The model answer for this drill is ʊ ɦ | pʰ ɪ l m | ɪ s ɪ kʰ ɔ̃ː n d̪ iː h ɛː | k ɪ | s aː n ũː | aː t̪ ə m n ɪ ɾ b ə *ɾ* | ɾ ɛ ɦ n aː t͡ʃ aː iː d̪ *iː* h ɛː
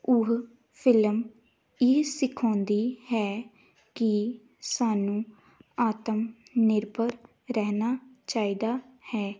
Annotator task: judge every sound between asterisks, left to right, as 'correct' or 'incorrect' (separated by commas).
correct, incorrect